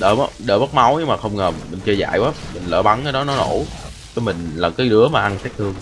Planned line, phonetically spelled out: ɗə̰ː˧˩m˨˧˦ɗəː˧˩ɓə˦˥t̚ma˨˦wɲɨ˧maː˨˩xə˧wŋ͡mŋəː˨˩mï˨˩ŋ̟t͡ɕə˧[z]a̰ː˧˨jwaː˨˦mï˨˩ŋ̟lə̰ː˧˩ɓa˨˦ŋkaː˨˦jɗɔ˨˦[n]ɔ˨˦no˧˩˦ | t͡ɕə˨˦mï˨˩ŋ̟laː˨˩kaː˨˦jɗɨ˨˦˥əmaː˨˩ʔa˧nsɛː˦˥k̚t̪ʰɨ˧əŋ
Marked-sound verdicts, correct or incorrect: correct, correct

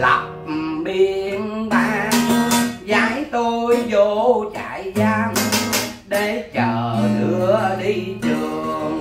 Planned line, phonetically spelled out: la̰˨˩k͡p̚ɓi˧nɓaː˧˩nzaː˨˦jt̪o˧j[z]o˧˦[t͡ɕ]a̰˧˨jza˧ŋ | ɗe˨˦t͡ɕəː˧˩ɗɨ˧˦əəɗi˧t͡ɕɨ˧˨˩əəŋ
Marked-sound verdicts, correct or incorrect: correct, correct

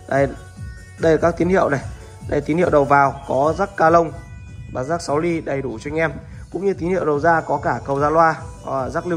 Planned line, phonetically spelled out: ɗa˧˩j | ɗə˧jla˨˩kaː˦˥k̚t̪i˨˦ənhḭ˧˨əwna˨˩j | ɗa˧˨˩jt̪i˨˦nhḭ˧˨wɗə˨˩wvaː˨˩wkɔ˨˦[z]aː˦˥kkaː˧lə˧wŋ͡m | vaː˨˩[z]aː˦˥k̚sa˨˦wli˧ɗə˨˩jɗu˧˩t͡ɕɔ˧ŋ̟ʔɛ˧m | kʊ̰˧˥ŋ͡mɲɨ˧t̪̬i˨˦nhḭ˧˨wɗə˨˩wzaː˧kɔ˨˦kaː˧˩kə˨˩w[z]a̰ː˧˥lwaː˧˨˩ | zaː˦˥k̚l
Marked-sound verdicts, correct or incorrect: correct, correct, correct

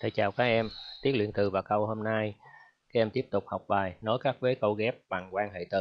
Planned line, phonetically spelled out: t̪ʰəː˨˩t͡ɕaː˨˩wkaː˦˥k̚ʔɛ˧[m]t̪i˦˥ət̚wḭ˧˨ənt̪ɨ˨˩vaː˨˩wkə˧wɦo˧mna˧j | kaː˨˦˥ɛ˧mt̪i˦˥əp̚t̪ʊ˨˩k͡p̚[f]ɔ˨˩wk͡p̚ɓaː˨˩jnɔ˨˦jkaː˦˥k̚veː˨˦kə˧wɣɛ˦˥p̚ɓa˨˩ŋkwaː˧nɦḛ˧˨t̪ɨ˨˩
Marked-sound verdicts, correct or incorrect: correct, incorrect: h

